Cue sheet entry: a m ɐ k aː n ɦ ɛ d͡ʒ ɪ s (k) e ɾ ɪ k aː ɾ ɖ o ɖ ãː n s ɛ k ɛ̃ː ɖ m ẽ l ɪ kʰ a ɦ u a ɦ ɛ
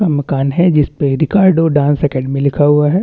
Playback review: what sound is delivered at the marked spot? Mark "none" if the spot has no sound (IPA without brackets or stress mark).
p